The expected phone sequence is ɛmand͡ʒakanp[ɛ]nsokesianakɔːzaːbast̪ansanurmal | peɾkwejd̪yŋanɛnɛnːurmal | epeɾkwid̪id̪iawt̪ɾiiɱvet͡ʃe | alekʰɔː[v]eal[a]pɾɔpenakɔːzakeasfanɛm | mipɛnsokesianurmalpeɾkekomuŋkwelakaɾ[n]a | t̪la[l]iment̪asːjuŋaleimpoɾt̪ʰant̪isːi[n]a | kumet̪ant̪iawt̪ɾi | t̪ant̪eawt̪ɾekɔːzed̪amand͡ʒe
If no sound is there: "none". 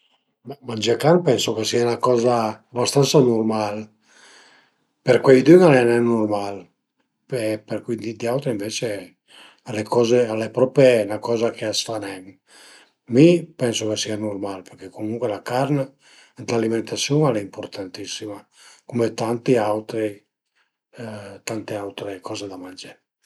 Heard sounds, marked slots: ɛ, z, e, n, l, m

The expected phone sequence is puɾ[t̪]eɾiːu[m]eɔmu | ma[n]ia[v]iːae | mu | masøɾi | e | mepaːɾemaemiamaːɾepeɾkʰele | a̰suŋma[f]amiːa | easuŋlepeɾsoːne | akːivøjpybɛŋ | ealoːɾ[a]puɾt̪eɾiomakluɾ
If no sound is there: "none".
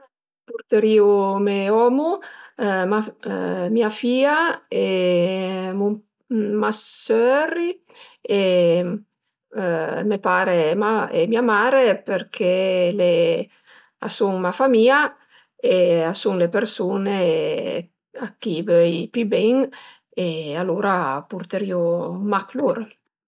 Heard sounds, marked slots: t̪, m, m, f, f, a

